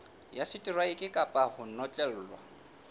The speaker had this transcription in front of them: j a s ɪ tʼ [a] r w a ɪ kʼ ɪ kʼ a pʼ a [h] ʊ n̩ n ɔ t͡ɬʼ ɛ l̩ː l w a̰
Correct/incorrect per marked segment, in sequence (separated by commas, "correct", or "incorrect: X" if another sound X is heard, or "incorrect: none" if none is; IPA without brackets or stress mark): incorrect: i, correct